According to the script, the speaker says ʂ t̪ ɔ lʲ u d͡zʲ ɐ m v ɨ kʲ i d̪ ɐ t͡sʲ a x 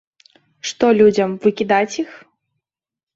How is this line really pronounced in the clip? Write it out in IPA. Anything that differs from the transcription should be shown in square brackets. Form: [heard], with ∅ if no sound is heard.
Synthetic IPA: ʂ t̪ ɔ lʲ u d͡zʲ ɐ m v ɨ kʲ i d̪ [a] t͡sʲ [i] x